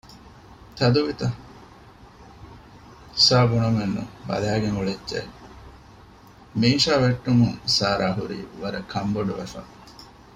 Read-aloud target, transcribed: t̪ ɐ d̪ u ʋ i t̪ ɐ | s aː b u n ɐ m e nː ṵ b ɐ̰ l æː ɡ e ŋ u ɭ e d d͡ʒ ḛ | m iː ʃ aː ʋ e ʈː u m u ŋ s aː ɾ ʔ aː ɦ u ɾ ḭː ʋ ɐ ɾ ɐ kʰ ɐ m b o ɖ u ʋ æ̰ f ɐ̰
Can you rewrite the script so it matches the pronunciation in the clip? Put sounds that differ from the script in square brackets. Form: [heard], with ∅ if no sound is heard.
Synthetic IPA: t̪ ɐ d̪ u ʋ i t̪ ɐ | s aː b u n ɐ m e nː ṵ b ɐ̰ l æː ɡ e ŋ u ɭ e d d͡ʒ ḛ | m iː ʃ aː ʋ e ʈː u m u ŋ s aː ɾ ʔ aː ɦ u ɾ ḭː ʋ ɐ ɾ ɐ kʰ ɐ m b o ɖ u ʋ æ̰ f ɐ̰